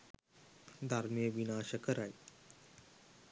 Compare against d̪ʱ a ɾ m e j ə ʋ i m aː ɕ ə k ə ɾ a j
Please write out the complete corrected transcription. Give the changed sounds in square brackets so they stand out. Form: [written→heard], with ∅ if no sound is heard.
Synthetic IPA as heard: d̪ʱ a ɾ m [e→i] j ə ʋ i [m→n] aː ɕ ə k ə ɾ a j